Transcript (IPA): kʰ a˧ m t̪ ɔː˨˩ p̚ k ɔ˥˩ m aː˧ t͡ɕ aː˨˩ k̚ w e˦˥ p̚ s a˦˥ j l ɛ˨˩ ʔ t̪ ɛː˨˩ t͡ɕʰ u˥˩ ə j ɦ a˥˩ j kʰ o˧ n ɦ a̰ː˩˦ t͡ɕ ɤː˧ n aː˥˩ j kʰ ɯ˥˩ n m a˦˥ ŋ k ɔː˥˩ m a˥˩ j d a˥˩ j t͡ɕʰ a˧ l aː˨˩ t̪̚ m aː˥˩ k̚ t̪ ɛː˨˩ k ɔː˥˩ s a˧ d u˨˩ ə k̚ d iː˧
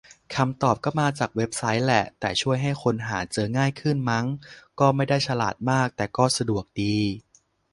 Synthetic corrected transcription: kʰ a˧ m t̪ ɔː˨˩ p̚ k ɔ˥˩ m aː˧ t͡ɕ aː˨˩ k̚ w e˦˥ p̚ s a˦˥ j l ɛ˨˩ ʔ t̪ ɛː˨˩ t͡ɕʰ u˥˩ ə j ɦ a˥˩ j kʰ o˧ n ɦ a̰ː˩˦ t͡ɕ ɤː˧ ŋ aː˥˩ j kʰ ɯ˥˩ n m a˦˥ ŋ k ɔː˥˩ m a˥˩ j d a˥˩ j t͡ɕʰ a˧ l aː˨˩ t̪̚ m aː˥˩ k̚ t̪ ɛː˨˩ k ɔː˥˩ s a˧ d u˨˩ ə k̚ d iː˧